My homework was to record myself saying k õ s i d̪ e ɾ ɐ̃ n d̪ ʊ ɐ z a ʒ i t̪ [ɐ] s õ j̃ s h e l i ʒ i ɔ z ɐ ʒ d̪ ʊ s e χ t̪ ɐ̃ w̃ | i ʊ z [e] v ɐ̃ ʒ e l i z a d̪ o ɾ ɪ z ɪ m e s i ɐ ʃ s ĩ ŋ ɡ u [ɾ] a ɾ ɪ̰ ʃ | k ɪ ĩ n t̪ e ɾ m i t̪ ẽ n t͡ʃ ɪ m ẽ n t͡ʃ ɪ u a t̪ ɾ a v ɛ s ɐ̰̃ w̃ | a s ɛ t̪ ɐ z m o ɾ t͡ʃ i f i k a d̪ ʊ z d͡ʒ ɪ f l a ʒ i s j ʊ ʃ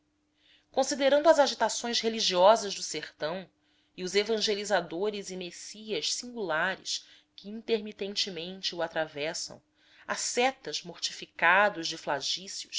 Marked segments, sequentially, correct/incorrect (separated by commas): incorrect, correct, incorrect